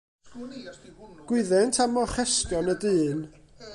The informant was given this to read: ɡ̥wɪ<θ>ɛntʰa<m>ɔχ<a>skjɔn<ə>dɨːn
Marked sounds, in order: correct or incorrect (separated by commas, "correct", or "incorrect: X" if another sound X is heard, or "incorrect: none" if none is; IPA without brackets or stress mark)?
incorrect: ð, correct, incorrect: ɛ, correct